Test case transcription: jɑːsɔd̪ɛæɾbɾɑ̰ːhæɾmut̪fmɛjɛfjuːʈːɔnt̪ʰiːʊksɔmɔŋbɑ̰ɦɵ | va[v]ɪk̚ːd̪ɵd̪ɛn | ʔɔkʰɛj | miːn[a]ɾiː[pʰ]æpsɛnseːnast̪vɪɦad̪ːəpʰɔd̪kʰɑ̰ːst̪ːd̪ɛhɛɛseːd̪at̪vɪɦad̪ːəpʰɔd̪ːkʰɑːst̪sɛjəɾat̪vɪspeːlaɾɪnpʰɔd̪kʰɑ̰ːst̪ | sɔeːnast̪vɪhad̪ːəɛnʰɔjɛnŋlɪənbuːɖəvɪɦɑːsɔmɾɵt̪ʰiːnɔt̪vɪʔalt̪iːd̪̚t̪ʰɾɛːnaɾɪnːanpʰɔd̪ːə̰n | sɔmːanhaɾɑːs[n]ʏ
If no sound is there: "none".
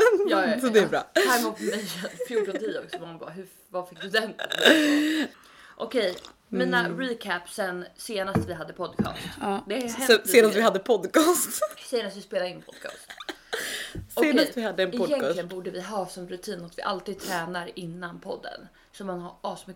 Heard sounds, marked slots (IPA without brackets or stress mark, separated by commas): f, a, kʰ, m